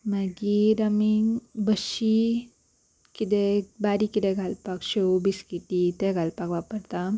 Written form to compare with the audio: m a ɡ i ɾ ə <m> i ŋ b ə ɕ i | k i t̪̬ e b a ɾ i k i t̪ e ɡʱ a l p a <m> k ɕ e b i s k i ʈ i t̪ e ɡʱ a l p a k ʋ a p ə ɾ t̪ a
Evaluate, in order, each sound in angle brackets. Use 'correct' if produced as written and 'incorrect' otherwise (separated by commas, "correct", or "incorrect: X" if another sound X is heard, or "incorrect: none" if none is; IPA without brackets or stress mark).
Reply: correct, incorrect: none